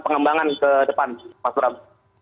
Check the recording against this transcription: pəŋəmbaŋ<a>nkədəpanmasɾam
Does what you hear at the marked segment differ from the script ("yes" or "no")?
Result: no